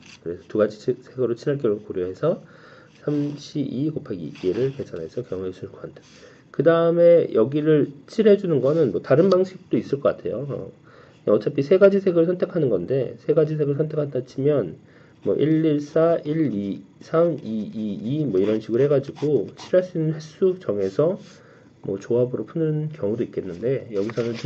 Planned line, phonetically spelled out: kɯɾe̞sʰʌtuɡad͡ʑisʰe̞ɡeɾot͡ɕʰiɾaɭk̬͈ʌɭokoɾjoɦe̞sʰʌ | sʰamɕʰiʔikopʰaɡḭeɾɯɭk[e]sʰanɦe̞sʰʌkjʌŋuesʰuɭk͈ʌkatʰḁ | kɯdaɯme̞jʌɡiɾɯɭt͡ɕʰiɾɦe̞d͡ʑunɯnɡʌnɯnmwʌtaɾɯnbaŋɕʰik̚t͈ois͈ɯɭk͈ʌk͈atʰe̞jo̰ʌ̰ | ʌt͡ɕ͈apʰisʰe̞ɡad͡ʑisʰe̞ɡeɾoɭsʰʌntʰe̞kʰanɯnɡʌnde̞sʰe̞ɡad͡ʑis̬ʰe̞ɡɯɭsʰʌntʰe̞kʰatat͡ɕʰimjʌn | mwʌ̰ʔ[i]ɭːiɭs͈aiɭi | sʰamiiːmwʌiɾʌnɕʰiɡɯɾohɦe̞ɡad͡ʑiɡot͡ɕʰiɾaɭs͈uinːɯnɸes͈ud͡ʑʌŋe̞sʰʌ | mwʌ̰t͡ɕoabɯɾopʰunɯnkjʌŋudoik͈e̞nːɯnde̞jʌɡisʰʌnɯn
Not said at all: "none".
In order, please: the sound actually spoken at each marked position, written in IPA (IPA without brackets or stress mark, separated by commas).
e, i